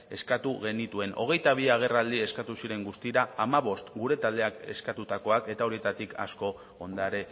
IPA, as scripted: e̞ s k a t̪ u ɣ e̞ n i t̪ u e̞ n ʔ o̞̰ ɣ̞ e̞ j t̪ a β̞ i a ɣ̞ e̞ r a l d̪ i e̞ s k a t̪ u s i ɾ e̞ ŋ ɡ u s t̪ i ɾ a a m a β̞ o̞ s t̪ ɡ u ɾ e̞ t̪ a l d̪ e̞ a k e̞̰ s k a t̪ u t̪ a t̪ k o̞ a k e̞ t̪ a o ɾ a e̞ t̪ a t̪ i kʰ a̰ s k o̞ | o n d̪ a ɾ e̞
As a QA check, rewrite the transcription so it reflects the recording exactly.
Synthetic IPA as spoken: e̞ s k a t̪ u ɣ e̞ n i t̪ u e̞ n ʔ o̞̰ ɣ̞ e̞ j t̪ a β̞ i a ɣ̞ e̞ r a l d̪ i e̞ s k a t̪ u s i ɾ e̞ ŋ ɡ u s t̪ i ɾ a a m a β̞ o̞ s t̪ ɡ u ɾ e̞ t̪ a l d̪ e̞ a k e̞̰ s k a t̪ u t̪ a k o̞ a k e̞ t̪ a o ɾ i e̞ t̪ a t̪ i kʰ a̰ s k o̞ | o n d̪ a ɾ e̞